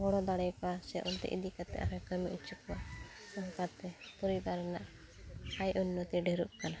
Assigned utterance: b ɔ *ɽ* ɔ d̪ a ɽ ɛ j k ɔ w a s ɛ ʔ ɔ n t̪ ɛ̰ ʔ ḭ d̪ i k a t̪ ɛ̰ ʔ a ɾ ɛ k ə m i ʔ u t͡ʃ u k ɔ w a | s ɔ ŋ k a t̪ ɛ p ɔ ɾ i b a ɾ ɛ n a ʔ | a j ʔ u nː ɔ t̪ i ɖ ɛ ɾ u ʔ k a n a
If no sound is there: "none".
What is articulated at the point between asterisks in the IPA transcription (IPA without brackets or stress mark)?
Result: ɽ